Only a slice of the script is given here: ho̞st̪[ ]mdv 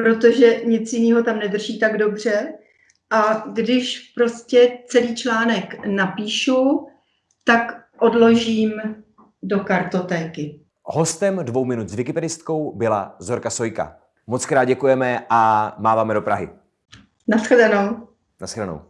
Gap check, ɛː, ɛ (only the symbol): ɛ